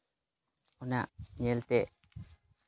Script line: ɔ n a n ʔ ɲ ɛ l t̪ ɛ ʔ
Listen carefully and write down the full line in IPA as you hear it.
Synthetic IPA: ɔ n a ʔ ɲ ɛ l t̪ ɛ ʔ